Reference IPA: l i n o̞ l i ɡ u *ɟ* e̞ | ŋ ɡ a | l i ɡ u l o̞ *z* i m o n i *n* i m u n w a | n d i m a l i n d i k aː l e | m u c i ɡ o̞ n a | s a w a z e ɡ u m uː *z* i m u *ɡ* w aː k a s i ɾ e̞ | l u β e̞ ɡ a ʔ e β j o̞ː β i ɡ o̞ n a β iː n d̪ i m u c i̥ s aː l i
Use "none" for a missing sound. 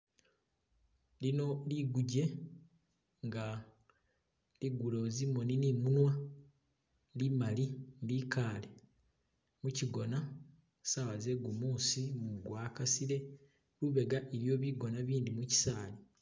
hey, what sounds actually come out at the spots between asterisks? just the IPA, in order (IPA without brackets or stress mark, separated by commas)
ɟ, z, n, s, ɡ